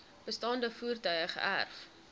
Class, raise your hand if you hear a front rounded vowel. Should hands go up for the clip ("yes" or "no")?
yes